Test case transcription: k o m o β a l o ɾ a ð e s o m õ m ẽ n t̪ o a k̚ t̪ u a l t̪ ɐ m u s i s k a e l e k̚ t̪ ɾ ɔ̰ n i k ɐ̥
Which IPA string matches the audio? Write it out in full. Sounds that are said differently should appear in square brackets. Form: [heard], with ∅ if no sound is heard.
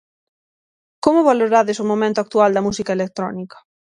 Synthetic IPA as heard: k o m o β a l o ɾ a ð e s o m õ m ẽ n t̪ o a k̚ t̪ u a l [d̪] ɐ m u s i [∅] k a e l e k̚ t̪ ɾ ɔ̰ n i k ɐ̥